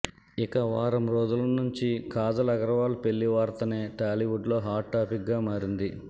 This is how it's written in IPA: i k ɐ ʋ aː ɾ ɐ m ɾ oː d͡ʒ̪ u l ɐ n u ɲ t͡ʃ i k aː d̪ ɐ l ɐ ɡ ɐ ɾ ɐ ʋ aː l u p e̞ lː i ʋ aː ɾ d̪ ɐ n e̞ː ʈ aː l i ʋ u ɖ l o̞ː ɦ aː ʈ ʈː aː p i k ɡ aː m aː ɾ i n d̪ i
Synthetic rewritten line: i k ɐ ʋ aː ɾ ɐ m ɾ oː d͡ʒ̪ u l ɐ n u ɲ t͡ʃ i k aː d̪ ɐ l ɐ ɡ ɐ ɾ ɐ ʋ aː l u p e̞ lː i ʋ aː ɾ t̪ ɐ n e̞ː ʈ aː l i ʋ u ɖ l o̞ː ɦ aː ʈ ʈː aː p i k ɡ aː m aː ɾ i n d̪ i